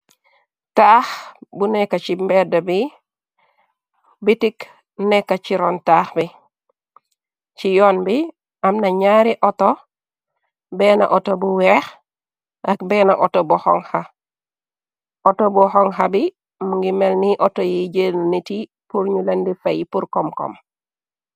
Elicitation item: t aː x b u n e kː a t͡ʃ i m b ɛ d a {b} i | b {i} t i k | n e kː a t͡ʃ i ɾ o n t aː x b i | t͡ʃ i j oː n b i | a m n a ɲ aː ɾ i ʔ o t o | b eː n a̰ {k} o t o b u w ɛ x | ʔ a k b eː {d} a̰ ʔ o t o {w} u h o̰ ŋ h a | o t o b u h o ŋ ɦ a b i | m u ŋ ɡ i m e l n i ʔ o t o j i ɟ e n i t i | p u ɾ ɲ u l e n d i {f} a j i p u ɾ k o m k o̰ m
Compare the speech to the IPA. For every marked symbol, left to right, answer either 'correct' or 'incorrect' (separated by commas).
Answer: correct, correct, incorrect, incorrect, incorrect, correct